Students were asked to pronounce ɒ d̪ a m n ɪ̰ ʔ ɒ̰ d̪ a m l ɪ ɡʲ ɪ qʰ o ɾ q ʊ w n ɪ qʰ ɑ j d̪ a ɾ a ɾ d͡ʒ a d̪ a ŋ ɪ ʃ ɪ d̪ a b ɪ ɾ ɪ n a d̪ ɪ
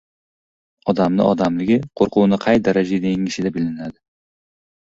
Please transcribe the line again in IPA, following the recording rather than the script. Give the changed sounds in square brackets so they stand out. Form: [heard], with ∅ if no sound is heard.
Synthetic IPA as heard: ɒ d̪ a m n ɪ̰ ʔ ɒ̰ d̪ a m l ɪ ɡʲ ɪ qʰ o ɾ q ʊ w n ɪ qʰ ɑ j d̪ a ɾ a [∅] d͡ʒ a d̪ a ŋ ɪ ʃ ɪ d̪ a b ɪ [l] ɪ n a d̪ ɪ